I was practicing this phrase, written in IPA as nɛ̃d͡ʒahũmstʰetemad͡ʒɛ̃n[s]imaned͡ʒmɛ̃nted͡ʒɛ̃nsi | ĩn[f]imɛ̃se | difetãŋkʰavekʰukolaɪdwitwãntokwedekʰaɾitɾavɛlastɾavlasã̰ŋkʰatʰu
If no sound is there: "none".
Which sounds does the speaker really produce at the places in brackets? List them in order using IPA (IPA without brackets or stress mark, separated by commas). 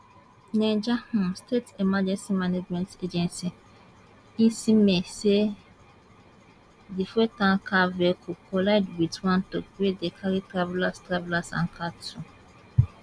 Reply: s, s